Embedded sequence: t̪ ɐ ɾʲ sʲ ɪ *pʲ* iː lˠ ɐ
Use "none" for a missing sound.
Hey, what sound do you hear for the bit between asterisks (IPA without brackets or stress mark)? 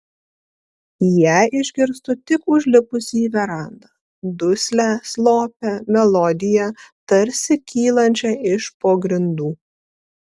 kʲ